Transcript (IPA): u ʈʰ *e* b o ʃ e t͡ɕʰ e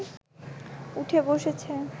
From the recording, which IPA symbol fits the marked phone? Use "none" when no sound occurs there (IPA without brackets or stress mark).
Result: e